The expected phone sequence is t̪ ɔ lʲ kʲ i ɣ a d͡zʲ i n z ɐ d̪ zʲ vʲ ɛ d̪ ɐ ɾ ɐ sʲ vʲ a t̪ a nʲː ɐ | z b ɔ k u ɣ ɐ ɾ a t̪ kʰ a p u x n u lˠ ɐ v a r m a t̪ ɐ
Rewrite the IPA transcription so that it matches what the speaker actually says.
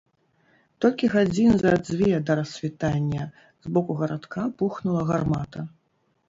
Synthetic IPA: t̪ ɔ lʲ kʲ i ɣ a d͡zʲ i n z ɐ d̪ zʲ vʲ ɛ d̪ ɐ ɾ ɐ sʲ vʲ i t̪ a nʲː ɐ | z b ɔ k u ɣ ɐ ɾ a t̪ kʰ a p u x n u lˠ ɐ ɣ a r m a t̪ ɐ